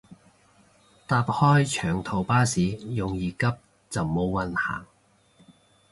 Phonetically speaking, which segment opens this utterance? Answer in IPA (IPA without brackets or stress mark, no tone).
t̪